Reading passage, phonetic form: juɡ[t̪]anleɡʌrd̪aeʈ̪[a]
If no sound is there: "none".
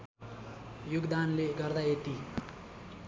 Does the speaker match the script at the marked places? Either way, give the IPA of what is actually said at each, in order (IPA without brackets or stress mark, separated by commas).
d̪, i